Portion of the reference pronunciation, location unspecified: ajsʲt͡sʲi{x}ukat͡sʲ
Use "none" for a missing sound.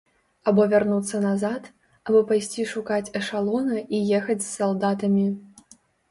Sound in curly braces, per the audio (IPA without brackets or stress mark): ʂ